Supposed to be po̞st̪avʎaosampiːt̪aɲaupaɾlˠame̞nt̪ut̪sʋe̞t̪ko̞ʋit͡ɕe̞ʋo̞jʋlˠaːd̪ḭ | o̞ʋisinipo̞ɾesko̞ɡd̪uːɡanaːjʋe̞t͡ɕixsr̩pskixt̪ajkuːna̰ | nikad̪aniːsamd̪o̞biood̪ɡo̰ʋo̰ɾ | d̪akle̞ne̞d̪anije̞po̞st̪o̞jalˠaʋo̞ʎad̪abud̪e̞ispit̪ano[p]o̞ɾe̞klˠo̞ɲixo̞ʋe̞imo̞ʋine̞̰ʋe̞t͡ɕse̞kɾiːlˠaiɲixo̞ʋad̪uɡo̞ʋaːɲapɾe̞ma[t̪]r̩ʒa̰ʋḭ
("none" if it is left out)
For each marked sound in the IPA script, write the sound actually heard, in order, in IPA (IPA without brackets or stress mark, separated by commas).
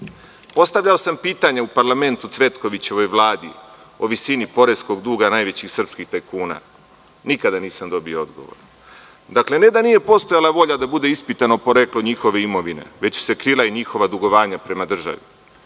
p, d̪